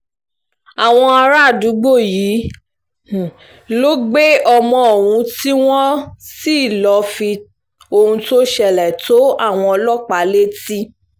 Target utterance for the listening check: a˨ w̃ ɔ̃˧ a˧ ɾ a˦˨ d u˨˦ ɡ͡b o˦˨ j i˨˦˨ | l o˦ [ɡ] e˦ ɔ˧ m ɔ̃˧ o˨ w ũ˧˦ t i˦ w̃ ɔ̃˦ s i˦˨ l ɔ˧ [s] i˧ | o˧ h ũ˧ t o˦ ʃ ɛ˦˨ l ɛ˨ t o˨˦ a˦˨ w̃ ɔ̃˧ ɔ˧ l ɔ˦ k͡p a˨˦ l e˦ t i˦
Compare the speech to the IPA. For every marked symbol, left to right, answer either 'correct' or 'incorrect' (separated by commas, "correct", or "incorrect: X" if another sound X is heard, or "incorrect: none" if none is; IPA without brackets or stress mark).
incorrect: ɡ͡b, incorrect: f